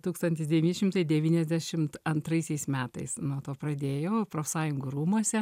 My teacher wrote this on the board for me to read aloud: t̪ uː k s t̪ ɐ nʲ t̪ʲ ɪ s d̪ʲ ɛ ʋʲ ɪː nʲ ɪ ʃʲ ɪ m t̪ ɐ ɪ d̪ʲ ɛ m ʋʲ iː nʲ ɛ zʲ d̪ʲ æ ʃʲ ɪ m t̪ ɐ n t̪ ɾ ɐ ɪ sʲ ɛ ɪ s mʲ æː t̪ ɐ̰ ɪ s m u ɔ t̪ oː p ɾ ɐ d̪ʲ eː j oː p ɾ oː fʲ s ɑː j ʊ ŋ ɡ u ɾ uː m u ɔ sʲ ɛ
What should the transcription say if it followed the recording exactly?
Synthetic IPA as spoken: t̪ uː k s t̪ ɐ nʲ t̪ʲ ɪ s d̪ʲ ɛ ʋʲ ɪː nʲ ɪ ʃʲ ɪ m t̪ ɐ ɪ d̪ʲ ɛ ʋʲ iː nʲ ɛ zʲ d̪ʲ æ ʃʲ ɪ m t̪ ɐ n t̪ ɾ ɐ ɪ sʲ ɛ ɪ s mʲ æː t̪ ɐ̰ ɪ s n u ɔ t̪ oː p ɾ ɐ d̪ʲ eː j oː p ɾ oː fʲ s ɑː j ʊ ŋ ɡ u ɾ uː m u ɔ sʲ ɛ